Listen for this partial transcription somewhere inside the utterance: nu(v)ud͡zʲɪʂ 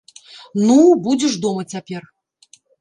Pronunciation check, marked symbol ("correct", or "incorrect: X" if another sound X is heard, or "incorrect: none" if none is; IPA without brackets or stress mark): incorrect: b